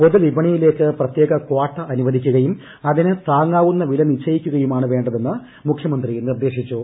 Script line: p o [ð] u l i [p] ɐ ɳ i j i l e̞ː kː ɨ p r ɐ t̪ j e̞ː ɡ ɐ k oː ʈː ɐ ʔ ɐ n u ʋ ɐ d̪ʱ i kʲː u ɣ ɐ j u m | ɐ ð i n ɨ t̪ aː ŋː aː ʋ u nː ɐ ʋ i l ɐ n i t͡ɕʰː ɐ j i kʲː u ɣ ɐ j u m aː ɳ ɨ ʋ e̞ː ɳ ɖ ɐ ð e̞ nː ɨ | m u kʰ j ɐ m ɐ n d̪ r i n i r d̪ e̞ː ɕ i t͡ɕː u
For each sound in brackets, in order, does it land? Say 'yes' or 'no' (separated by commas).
yes, no